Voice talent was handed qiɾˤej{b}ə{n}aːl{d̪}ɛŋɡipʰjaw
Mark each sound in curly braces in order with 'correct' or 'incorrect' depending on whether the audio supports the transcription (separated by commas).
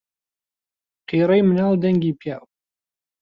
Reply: incorrect, correct, correct